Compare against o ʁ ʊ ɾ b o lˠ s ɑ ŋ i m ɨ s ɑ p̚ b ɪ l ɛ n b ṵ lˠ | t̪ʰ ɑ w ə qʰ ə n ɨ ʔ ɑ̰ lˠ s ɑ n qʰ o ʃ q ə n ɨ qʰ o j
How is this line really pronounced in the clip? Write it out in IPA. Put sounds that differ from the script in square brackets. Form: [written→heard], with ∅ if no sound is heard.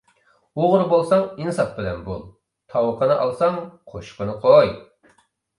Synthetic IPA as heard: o ʁ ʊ ɾ b o lˠ s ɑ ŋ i [m→n] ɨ s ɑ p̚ b ɪ l ɛ n b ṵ lˠ | t̪ʰ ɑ w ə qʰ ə n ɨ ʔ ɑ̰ lˠ s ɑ [n→ŋ] qʰ o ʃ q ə n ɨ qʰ o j